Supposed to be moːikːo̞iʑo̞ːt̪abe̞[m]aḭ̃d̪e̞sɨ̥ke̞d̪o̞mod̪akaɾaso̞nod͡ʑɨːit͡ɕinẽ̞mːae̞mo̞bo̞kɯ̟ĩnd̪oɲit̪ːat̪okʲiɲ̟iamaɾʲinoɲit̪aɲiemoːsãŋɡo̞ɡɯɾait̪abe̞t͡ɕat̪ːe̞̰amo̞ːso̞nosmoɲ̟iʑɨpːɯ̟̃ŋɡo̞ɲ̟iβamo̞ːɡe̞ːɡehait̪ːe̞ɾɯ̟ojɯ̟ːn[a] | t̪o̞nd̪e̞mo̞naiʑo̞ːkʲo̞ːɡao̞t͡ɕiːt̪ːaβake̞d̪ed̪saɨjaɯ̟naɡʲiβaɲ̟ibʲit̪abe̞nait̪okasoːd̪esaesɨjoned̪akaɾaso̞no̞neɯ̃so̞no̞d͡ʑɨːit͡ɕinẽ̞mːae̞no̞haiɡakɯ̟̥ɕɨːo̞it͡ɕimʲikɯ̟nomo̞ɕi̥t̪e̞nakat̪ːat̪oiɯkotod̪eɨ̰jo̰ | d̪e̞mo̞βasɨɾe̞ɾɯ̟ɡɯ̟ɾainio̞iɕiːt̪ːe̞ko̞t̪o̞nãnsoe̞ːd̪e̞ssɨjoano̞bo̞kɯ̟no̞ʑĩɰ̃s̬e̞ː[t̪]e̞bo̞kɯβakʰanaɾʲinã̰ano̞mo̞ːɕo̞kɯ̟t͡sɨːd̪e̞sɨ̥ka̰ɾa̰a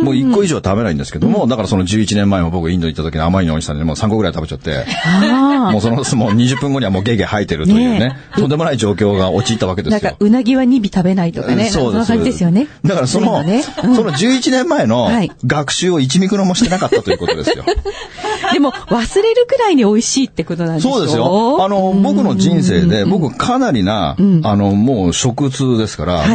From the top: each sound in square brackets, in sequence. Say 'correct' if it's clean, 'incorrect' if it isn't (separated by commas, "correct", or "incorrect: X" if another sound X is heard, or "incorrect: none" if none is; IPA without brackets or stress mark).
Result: incorrect: n, incorrect: e, incorrect: d̪